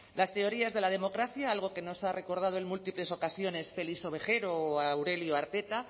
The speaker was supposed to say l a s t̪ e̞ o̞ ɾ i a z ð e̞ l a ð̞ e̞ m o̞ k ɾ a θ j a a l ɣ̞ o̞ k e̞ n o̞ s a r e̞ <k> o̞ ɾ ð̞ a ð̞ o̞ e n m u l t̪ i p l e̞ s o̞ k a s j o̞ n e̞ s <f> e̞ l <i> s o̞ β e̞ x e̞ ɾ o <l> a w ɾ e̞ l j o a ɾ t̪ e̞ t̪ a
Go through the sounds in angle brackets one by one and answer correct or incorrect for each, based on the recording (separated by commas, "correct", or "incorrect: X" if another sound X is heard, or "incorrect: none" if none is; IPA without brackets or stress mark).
correct, correct, correct, incorrect: none